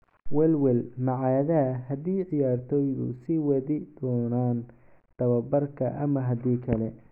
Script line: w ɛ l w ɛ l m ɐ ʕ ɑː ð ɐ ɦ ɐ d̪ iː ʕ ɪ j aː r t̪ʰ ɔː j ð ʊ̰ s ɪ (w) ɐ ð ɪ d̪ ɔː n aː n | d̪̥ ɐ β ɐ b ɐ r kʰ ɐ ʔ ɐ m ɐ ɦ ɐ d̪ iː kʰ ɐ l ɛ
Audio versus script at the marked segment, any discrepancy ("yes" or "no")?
no